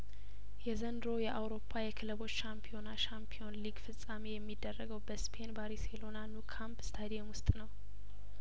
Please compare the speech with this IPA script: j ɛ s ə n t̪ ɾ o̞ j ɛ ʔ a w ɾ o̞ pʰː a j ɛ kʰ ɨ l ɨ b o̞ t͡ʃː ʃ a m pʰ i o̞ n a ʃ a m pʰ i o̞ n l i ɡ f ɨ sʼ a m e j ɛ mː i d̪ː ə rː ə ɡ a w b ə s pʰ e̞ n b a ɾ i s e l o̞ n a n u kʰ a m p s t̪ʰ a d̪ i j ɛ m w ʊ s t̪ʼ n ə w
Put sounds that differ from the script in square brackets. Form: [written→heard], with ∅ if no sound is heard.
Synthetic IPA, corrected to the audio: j ɛ [s→z] ə n [t̪→d̪] ɾ o̞ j ɛ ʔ a w ɾ o̞ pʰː a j ɛ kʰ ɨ l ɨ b o̞ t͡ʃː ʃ a m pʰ i o̞ n a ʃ a m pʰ i o̞ n l i ɡ f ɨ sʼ a m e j ɛ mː i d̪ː ə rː ə ɡ [a→ə] w b ə s pʰ e̞ n b a ɾ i s e l o̞ n a n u kʰ a m p s t̪ʰ a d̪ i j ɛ m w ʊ s t̪ʼ n ə w